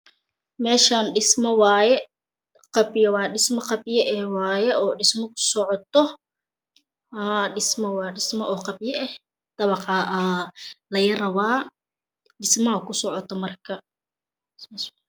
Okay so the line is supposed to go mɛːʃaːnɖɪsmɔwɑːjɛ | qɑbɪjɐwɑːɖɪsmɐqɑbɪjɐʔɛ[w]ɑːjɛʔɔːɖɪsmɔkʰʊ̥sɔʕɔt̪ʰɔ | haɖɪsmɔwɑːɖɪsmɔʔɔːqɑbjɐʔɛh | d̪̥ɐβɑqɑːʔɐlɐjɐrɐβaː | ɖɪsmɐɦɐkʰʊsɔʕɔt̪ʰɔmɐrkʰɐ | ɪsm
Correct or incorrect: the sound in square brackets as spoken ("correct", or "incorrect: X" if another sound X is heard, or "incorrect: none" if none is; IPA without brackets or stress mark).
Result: correct